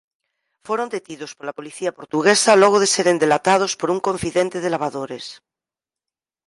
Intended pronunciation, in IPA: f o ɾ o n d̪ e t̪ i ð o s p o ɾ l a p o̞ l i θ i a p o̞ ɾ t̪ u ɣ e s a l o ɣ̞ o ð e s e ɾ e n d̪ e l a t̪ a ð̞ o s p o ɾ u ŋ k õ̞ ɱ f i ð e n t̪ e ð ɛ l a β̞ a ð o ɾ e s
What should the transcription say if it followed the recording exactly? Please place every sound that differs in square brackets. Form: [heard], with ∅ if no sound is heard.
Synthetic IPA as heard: f o ɾ o n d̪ e t̪ i ð o s p o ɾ l a p o̞ l i θ i a p o̞ ɾ t̪ u ɣ e s a l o ɣ̞ o ð e s e ɾ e n d̪ e l a t̪ a ð̞ o s p o ɾ u ŋ k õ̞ ɱ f i ð e n t̪ e ð [e] l a β̞ a ð o ɾ e s